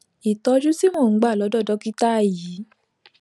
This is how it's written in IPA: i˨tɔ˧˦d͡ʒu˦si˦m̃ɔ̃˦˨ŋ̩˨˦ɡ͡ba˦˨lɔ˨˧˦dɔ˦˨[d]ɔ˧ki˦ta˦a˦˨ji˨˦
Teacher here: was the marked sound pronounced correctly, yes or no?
yes